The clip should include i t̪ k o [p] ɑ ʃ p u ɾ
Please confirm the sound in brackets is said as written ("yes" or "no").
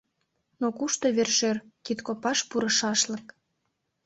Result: yes